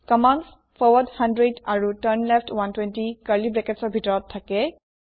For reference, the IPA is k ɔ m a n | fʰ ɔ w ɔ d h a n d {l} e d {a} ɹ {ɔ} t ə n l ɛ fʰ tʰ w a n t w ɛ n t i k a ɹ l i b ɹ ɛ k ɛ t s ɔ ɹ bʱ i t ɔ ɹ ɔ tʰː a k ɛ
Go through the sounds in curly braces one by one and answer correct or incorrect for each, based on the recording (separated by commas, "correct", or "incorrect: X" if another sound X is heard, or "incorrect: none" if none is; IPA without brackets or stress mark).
incorrect: ɹ, correct, incorrect: u